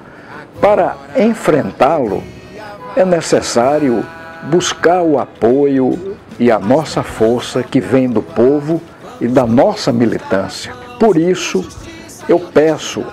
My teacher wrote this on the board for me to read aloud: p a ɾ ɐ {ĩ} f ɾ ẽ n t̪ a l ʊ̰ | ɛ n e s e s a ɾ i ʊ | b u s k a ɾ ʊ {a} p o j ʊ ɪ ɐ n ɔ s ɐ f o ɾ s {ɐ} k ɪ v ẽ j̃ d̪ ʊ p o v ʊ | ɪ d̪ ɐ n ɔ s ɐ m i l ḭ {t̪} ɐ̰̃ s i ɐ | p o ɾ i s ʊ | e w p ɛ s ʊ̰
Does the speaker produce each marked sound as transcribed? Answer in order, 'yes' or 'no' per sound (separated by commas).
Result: no, yes, yes, yes